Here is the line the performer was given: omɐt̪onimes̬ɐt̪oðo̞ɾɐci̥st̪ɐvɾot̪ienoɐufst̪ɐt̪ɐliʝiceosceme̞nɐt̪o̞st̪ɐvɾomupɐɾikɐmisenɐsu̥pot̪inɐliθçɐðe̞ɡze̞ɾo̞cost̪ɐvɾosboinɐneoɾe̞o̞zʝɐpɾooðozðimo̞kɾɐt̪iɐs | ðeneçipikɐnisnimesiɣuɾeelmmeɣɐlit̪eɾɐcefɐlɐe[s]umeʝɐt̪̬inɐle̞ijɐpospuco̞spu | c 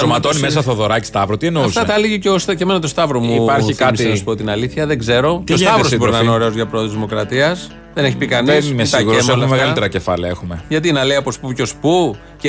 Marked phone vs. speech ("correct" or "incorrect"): incorrect